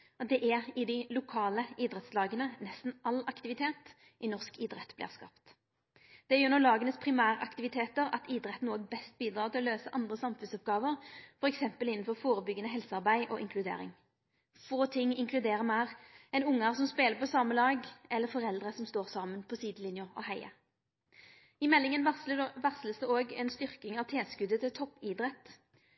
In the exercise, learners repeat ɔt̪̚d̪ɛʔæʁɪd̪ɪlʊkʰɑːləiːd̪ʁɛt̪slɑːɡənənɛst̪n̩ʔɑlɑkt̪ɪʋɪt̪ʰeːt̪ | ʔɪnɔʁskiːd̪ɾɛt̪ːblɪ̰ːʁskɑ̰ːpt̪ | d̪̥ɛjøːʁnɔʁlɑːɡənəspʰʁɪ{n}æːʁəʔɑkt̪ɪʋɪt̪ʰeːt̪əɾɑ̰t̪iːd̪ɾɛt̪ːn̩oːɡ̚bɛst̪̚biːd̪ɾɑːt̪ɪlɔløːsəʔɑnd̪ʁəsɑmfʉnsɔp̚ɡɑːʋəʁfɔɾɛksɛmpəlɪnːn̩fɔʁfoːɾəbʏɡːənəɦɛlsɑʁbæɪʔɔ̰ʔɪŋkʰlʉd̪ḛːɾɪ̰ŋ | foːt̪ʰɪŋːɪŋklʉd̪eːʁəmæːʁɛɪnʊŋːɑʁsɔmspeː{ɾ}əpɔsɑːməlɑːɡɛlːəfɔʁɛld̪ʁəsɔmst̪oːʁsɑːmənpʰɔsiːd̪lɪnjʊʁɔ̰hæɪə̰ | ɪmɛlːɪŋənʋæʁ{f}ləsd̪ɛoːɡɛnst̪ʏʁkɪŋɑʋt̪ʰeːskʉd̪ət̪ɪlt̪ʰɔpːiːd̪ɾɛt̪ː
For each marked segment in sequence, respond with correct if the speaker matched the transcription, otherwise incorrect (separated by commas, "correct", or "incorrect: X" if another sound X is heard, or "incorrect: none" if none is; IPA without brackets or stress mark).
incorrect: m, incorrect: l, incorrect: s